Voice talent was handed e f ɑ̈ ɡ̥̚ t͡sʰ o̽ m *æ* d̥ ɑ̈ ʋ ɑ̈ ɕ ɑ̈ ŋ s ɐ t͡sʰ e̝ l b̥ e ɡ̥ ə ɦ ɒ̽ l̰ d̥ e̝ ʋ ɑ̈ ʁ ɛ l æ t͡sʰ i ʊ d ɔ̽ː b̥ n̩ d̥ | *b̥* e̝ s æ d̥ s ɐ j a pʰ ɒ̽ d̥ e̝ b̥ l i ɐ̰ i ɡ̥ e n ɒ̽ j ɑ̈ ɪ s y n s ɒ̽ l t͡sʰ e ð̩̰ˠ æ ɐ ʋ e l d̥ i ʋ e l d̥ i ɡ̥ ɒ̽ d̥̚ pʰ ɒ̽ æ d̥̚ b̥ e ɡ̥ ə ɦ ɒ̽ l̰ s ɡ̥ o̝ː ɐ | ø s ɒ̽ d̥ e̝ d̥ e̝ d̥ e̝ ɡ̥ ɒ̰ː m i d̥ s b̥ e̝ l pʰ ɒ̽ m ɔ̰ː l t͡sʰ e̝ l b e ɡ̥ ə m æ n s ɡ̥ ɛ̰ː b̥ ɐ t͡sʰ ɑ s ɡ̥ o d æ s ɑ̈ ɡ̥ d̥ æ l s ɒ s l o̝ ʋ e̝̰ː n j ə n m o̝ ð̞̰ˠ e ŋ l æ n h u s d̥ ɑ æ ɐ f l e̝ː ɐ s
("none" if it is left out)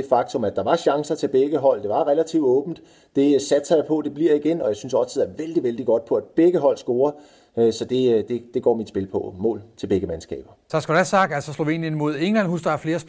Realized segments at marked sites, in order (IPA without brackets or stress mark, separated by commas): æ, d̥